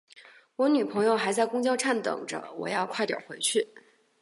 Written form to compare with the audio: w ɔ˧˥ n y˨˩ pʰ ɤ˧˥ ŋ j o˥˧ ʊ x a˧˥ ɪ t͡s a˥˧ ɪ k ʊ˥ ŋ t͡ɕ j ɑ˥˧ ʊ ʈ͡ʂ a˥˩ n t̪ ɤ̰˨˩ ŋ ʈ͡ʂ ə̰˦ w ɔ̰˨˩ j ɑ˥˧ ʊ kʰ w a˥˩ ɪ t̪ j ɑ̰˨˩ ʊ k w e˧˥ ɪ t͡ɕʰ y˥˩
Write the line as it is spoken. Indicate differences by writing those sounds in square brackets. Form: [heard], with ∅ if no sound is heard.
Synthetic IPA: w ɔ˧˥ n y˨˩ pʰ ɤ˧˥ ŋ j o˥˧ ʊ x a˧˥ ɪ t͡s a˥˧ ɪ k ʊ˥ ŋ t͡ɕ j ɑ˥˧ ʊ [ʈ͡ʂʰ] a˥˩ n t̪ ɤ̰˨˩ ŋ ʈ͡ʂ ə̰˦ w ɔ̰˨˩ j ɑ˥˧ ʊ kʰ w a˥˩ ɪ t̪ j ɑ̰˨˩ ʊ [x] w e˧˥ ɪ t͡ɕʰ y˥˩

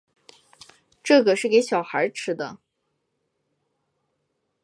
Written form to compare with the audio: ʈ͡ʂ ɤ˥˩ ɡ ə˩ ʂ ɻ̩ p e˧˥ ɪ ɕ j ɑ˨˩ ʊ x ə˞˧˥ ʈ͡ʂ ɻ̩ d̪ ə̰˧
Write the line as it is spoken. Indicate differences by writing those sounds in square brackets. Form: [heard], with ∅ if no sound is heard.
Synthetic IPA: ʈ͡ʂ ɤ˥˩ ɡ ə˩ ʂ ɻ̩ [k] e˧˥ ɪ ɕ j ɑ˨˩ ʊ x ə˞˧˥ [ʈ͡ʂʰ] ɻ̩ d̪ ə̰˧

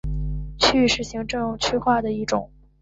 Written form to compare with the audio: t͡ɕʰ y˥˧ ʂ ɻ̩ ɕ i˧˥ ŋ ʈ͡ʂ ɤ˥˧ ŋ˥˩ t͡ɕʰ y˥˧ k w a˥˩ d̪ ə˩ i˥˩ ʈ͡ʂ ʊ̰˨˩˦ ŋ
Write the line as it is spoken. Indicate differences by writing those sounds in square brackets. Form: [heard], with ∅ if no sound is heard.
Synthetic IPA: t͡ɕʰ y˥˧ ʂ ɻ̩ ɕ i˧˥ ŋ ʈ͡ʂ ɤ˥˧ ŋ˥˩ t͡ɕʰ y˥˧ [x] w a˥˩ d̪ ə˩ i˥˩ ʈ͡ʂ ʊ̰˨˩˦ ŋ

